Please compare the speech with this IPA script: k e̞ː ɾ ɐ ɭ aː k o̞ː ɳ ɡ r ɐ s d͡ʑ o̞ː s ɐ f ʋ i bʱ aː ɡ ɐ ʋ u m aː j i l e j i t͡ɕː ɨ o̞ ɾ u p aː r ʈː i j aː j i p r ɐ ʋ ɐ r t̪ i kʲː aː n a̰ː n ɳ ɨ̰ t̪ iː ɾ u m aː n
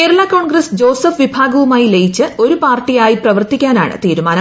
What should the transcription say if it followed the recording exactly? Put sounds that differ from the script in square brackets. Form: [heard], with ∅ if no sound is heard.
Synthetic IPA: k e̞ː ɾ ɐ ɭ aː k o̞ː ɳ ɡ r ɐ s d͡ʑ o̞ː s ɐ f ʋ i bʱ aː ɡ ɐ ʋ u m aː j i l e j i t͡ɕː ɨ o̞ ɾ u p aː r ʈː i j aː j i p r ɐ ʋ ɐ r t̪ i kʲː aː n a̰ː [∅] ɳ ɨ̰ t̪ iː ɾ u m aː n